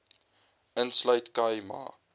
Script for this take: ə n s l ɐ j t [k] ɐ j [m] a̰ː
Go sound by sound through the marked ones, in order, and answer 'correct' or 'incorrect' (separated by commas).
correct, correct